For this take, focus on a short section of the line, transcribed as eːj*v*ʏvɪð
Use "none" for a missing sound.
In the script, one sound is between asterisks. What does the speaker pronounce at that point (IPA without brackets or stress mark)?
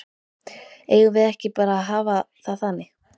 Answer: ɣ